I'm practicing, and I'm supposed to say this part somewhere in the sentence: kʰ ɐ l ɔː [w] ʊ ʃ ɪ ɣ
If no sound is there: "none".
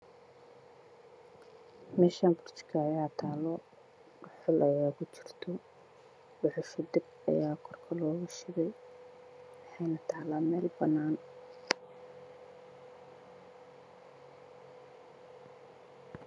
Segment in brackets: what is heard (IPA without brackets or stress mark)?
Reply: ɣ